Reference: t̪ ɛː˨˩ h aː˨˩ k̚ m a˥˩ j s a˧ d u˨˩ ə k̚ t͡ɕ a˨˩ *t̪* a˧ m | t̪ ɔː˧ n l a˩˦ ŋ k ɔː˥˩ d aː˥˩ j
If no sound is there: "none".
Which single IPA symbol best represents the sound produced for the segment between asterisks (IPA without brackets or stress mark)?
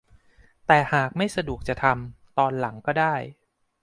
t̪ʰ